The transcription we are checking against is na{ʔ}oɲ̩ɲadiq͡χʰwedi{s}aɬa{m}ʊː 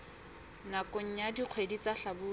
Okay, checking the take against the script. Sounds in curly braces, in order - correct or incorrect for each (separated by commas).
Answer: incorrect, incorrect, incorrect